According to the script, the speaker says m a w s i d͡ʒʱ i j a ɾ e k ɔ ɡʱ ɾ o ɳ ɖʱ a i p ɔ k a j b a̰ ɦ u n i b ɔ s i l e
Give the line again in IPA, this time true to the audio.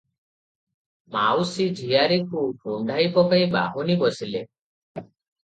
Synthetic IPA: m a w s i d͡ʒʱ i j a ɾ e k u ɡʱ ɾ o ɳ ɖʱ a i p ɔ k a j b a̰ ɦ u n i b ɔ s i l e